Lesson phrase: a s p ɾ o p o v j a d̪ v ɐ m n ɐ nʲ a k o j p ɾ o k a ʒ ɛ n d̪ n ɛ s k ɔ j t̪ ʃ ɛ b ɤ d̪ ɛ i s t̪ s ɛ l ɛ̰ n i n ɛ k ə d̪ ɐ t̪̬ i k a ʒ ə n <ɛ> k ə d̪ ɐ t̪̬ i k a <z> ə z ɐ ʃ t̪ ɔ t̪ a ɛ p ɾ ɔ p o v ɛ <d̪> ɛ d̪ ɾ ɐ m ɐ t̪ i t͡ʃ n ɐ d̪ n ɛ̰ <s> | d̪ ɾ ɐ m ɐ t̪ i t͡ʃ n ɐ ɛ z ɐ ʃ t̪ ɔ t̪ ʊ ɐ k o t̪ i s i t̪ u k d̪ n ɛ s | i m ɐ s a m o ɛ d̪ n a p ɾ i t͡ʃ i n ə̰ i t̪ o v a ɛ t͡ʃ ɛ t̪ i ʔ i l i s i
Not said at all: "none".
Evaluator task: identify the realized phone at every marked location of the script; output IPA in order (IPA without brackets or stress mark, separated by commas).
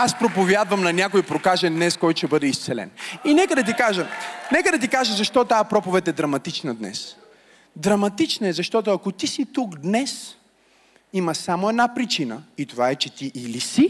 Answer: ɛ, ʒ, t̪, s